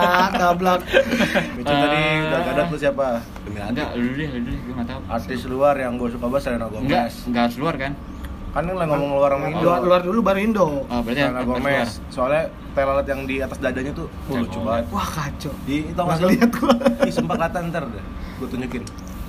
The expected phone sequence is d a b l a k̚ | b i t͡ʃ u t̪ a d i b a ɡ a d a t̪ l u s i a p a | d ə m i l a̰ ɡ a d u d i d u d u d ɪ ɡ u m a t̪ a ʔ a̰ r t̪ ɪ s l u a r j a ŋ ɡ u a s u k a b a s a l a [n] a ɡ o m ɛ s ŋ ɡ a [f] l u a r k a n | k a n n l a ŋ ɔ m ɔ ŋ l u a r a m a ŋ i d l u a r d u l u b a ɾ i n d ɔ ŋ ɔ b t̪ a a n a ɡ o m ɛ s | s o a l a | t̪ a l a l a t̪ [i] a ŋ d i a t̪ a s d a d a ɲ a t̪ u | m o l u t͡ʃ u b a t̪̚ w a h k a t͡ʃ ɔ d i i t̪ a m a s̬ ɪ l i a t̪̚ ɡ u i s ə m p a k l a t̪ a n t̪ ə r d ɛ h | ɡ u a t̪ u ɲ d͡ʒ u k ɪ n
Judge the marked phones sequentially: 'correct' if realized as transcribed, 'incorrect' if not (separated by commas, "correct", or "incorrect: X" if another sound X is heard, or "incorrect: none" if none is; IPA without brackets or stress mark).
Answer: correct, incorrect: s, incorrect: j